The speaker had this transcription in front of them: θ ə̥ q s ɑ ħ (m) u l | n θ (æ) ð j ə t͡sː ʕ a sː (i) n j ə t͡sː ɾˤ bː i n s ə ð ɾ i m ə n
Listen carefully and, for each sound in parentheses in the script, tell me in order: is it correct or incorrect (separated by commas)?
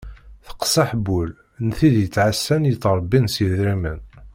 incorrect, incorrect, incorrect